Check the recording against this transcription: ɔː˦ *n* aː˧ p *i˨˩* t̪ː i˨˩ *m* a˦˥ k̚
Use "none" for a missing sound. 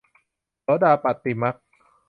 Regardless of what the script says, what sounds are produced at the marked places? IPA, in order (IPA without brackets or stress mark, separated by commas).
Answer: d, a˨˩, m